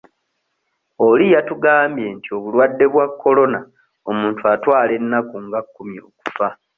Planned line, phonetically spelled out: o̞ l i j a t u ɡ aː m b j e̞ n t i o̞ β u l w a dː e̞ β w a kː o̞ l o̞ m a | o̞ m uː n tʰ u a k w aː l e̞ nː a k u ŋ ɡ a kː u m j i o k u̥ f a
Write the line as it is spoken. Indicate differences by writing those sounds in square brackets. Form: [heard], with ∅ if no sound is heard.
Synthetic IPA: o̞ l i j a t u ɡ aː m b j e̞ n t i o̞ β u l w a dː e̞ β w a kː o̞ l o̞ [n] a | o̞ m uː n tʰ u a [t] w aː l e̞ nː a k u ŋ ɡ a kː u m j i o k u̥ f a